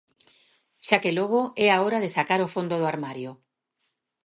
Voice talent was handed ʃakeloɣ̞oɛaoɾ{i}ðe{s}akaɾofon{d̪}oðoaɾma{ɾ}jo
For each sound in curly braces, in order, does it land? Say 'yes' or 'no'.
no, yes, yes, yes

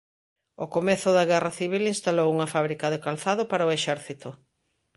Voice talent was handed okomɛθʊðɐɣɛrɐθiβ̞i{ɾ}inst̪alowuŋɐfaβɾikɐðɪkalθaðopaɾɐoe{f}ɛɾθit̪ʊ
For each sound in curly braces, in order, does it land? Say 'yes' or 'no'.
no, no

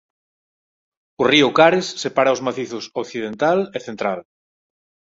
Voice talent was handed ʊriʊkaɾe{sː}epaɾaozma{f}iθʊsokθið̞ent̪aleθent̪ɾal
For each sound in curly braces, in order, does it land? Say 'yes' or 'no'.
yes, no

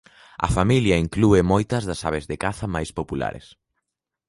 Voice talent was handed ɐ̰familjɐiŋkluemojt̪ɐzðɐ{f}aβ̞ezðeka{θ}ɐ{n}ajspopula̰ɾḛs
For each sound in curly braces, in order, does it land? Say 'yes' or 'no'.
no, yes, no

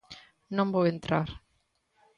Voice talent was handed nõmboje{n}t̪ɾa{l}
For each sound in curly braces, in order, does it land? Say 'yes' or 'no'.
yes, no

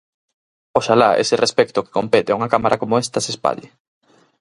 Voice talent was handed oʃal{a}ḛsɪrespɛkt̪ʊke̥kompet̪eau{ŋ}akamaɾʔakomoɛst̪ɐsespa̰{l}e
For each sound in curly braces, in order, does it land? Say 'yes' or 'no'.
yes, yes, no

